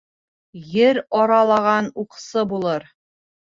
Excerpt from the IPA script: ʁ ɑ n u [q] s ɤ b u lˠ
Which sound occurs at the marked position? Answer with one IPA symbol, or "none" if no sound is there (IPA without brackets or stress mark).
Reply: q